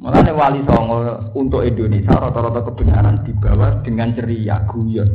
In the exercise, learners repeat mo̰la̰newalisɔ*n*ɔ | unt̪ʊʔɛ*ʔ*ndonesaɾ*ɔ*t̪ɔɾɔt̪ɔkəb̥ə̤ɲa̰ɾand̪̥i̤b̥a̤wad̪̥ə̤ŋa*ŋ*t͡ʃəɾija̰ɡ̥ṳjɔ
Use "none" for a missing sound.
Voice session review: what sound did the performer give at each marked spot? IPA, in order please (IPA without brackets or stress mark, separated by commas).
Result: ŋ, none, ɔ, n